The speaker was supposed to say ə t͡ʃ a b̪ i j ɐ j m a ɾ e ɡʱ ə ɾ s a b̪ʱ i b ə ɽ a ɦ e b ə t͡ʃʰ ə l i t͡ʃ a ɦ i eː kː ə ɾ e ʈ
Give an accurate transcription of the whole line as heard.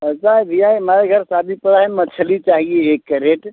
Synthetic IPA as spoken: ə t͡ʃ a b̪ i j a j m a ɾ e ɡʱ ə ɾ s a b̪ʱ i p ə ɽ a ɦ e m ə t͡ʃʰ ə l i t͡ʃ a ɦ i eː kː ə ɾ e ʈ